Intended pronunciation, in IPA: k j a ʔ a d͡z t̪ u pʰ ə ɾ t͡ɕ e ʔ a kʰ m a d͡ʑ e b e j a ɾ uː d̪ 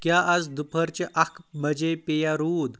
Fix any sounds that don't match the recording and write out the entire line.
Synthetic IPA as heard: k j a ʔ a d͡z d̪ u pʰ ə ɾ t͡ɕ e ʔ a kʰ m ə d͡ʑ e p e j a ɾ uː d̪